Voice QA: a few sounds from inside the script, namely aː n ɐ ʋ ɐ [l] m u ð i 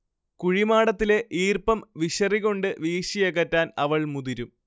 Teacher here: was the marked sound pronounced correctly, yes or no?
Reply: no